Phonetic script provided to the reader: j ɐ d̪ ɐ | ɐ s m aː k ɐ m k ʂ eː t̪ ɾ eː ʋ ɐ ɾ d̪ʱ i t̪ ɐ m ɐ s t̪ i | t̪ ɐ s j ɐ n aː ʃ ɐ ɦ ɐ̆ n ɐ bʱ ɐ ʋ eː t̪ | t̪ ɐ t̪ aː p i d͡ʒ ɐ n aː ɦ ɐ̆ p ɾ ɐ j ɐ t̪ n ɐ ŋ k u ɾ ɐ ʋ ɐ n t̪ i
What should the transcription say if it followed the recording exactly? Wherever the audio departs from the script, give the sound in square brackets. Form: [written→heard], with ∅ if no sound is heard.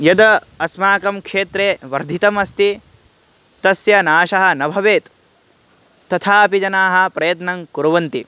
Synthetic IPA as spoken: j ɐ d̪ ɐ | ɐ s m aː k ɐ m k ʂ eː t̪ ɾ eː ʋ ɐ ɾ d̪ʱ i t̪ ɐ m ɐ s t̪ i | t̪ ɐ s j ɐ n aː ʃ ɐ ɦ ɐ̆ n ɐ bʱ ɐ ʋ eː t̪ | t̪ ɐ [t̪→t̪ʰ] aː p i d͡ʒ ɐ n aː ɦ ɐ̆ p ɾ ɐ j ɐ t̪ n ɐ ŋ k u ɾ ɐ ʋ ɐ n t̪ i